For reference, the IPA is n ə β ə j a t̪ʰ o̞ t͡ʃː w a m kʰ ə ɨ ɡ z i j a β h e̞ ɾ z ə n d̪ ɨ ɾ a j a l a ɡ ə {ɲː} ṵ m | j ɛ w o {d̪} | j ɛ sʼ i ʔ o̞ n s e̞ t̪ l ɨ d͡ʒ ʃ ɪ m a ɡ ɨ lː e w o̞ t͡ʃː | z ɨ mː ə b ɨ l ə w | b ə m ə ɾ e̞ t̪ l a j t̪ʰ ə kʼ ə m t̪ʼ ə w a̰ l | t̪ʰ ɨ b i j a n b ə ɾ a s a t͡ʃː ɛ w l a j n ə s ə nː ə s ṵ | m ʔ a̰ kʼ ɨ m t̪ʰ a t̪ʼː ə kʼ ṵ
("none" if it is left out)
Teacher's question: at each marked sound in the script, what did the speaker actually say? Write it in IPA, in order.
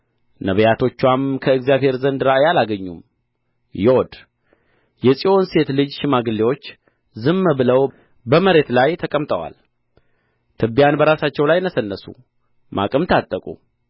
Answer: ɲː, d̪

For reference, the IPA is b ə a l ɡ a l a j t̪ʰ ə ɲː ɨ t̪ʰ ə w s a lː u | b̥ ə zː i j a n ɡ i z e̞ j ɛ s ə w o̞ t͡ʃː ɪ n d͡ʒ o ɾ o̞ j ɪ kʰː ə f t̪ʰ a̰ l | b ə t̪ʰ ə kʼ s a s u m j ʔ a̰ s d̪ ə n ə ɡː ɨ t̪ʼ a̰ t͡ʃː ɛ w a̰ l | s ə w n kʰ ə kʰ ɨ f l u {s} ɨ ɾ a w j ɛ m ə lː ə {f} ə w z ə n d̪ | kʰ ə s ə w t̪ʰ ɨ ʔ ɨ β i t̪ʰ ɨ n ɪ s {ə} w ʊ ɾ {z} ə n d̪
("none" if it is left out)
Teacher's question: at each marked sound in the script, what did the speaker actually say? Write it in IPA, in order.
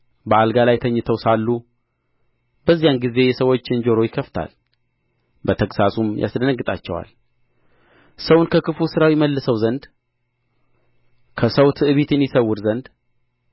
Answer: s, s, ə, z

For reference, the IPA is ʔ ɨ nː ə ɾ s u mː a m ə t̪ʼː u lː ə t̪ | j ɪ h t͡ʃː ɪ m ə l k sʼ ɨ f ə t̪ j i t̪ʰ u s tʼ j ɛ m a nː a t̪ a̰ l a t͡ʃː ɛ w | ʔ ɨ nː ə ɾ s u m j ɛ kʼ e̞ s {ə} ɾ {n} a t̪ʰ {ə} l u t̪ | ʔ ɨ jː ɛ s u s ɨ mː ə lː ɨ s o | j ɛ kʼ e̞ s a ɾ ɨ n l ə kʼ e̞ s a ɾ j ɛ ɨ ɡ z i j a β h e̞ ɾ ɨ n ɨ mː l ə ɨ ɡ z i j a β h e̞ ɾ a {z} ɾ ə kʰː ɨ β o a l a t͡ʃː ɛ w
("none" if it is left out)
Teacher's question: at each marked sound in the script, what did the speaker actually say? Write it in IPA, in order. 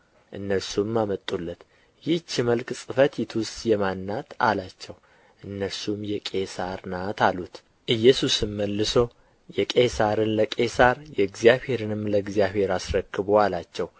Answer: a, n, a, s

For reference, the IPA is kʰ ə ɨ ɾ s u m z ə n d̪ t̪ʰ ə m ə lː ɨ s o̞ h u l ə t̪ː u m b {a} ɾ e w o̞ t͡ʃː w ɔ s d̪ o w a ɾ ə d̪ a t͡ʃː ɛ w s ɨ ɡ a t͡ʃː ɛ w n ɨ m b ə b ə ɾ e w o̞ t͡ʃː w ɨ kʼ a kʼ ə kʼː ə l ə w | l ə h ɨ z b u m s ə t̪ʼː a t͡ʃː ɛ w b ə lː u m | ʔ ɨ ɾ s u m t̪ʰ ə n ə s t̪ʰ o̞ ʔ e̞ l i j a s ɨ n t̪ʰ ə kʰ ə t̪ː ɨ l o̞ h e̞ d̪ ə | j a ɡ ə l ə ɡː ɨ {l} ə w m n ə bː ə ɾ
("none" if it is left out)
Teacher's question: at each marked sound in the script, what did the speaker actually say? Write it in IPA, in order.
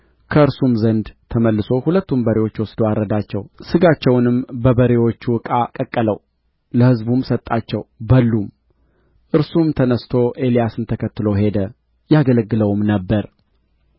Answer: ə, l

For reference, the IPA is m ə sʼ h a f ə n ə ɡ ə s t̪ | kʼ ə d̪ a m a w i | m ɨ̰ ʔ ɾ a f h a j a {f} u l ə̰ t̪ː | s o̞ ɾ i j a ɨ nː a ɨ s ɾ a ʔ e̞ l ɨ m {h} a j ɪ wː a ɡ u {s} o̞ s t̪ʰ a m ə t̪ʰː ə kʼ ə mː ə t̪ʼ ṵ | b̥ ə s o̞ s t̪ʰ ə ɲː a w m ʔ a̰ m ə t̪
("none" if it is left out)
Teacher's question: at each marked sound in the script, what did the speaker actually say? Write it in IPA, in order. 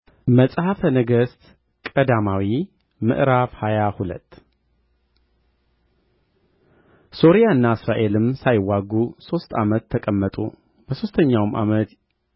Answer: h, s, s

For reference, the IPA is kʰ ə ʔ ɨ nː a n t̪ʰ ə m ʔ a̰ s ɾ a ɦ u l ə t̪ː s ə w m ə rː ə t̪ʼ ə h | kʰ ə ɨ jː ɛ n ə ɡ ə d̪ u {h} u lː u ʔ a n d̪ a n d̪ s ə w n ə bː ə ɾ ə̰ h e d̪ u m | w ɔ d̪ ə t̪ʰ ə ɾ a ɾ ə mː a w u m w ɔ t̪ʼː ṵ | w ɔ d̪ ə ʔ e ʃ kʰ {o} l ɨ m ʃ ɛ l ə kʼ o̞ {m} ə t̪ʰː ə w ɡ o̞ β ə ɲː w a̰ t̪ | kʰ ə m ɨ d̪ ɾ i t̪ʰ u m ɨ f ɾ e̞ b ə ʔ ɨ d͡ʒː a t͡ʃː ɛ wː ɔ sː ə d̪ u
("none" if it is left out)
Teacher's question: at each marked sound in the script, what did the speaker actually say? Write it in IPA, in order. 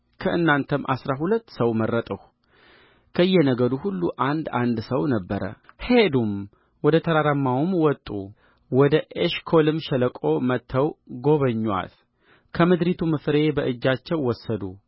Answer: h, o, m

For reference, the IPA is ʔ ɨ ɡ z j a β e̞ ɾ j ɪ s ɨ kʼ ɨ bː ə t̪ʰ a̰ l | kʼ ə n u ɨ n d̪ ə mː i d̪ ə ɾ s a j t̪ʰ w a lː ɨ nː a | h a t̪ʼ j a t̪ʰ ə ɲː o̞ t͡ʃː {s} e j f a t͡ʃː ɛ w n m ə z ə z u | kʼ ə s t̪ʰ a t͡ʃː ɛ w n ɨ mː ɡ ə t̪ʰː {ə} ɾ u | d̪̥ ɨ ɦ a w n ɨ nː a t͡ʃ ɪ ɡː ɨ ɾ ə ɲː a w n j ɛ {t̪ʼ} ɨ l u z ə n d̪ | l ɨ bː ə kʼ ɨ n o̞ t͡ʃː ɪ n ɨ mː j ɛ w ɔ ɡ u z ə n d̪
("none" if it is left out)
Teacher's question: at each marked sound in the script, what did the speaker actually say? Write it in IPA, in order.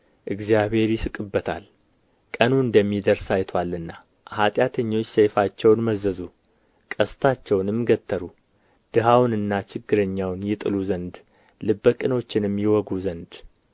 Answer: s, ə, t̪ʼ

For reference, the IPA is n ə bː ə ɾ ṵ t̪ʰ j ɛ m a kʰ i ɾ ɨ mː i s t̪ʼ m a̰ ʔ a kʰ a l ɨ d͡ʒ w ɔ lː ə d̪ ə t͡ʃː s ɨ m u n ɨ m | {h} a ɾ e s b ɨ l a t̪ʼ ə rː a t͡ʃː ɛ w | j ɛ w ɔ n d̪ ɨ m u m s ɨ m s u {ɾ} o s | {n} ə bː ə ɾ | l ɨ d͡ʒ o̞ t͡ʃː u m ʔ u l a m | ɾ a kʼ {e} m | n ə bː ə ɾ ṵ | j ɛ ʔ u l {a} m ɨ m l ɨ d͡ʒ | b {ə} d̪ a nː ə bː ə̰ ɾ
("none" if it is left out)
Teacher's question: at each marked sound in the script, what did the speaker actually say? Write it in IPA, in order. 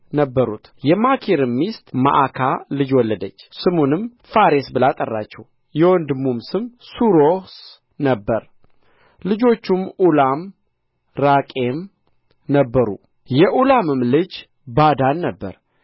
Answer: f, ɾ, n, e, a, a

